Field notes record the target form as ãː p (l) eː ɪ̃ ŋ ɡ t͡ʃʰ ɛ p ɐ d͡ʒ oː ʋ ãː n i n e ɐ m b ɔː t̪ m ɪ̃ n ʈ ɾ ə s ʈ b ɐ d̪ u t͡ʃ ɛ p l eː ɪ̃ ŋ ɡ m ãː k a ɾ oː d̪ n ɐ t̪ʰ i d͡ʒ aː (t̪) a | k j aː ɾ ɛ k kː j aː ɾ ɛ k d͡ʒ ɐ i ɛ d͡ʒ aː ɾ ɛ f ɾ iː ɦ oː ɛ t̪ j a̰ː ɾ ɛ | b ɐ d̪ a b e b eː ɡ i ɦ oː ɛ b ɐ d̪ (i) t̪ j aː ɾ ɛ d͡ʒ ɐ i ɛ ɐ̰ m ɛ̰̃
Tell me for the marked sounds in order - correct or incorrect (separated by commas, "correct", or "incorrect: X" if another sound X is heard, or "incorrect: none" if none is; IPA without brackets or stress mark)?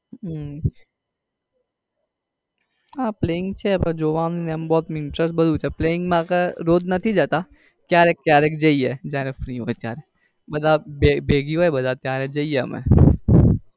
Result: correct, correct, incorrect: a